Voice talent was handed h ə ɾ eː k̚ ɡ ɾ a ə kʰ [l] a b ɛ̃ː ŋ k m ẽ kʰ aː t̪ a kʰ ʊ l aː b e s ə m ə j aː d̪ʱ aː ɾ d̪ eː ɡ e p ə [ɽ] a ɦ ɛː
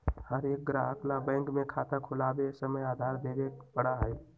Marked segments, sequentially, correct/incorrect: correct, correct

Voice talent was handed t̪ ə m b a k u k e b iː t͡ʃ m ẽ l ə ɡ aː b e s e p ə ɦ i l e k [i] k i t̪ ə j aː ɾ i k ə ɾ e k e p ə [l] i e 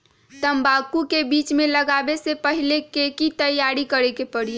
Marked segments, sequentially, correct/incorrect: incorrect: e, incorrect: ɽ

